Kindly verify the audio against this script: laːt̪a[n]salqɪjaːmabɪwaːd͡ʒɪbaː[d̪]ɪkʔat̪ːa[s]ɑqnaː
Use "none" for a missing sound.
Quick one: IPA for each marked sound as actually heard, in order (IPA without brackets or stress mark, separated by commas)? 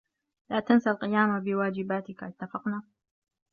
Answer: n, t̪, f